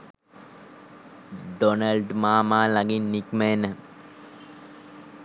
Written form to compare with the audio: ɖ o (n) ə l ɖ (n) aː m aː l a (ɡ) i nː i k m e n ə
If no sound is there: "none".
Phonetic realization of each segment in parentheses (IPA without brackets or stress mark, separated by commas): n, m, ɡ